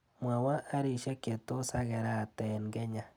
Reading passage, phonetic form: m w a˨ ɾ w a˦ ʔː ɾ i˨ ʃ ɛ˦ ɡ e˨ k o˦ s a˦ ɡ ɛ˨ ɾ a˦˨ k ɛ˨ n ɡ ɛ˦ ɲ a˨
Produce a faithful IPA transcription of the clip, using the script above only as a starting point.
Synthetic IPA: m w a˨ w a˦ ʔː ɾ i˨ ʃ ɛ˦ k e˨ t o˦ s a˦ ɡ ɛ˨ ɾ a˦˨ t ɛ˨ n ɡ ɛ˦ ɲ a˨